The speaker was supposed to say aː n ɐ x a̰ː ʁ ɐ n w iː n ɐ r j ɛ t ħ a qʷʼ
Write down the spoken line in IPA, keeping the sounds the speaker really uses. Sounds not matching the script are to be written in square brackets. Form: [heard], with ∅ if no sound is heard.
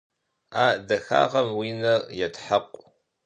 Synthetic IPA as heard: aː [d] ɐ x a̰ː ʁ ɐ [m] w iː n ɐ r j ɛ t ħ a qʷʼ